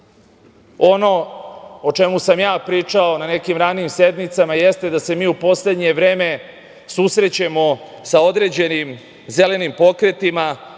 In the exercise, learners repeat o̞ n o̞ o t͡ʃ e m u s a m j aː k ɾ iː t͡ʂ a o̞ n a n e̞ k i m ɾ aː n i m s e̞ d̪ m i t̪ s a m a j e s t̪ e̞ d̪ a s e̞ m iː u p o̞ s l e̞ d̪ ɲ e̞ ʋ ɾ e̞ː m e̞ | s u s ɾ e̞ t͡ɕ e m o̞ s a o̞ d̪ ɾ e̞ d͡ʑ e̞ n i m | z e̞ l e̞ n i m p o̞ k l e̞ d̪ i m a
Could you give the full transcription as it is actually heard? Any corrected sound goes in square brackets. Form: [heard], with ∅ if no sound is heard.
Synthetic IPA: o̞ n o̞ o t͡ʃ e m u s a m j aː [p] ɾ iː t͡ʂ a o̞ n a n e̞ k i m ɾ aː n i m s e̞ d̪ m i t̪ s a m a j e s t̪ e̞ d̪ a s e̞ m iː u p o̞ s l e̞ d̪ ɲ e̞ ʋ ɾ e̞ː m e̞ | s u s ɾ e̞ t͡ɕ e m o̞ s a o̞ d̪ ɾ e̞ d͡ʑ e̞ n i m | z e̞ l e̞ n i m p o̞ k [ɾ] e̞ [t̪] i m a